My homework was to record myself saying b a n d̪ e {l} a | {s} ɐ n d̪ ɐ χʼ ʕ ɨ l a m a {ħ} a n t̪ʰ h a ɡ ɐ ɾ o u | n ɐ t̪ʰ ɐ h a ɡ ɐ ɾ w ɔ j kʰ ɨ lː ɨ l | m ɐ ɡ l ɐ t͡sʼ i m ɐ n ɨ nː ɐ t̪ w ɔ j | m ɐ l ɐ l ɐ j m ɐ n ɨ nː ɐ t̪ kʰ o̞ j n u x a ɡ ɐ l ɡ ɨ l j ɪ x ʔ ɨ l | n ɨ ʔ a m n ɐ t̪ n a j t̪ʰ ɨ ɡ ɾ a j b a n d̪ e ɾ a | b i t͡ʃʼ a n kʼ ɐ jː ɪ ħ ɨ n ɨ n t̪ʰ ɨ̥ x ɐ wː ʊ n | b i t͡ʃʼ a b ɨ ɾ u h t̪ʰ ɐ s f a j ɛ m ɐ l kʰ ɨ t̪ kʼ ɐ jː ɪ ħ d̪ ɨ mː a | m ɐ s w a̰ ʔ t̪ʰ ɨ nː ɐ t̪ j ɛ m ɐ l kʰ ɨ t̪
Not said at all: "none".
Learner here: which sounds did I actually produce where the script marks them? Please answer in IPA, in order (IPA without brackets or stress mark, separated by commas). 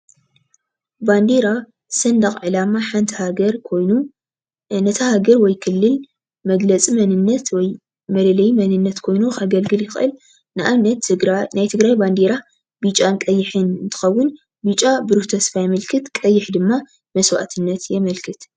ɾ, s, ħ